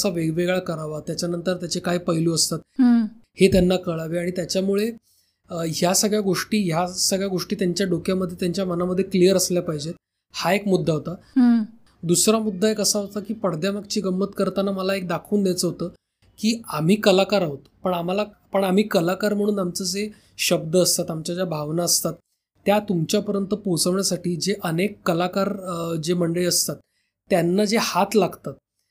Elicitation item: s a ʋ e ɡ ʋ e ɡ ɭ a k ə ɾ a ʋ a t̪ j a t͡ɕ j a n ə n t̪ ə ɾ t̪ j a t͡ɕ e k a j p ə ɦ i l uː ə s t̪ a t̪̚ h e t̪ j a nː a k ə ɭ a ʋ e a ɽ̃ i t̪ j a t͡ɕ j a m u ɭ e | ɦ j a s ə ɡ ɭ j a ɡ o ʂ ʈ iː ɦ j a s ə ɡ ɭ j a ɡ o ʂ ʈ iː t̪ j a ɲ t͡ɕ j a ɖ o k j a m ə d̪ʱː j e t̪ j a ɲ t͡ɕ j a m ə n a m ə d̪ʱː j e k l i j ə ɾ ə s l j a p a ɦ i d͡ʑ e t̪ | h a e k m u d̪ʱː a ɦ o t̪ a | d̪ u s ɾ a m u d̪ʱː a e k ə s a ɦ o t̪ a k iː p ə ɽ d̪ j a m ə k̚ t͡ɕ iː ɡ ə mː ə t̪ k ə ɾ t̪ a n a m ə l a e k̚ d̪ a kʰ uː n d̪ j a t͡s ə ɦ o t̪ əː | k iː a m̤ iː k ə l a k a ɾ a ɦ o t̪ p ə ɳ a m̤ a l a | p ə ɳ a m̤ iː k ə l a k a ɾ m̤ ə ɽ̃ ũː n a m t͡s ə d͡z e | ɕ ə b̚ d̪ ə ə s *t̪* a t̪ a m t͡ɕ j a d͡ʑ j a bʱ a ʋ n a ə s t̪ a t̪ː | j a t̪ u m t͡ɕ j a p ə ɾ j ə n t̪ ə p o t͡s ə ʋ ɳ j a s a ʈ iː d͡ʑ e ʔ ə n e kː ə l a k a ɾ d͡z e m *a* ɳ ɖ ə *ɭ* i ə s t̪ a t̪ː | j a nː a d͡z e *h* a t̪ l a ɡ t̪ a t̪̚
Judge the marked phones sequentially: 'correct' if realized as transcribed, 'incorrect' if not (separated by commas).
correct, incorrect, correct, correct